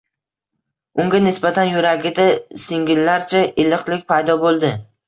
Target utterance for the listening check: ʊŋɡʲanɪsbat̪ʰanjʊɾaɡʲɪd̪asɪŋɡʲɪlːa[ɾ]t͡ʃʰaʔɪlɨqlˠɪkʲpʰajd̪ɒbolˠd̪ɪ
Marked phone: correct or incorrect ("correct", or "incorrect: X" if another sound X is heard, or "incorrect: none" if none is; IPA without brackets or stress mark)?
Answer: correct